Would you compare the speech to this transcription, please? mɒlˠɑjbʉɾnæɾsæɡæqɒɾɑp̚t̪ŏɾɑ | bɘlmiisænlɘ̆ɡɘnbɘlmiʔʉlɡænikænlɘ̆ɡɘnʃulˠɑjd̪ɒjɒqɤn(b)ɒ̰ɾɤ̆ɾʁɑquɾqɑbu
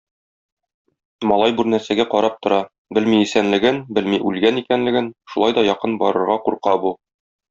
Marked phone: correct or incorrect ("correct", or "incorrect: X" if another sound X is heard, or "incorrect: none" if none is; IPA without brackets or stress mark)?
correct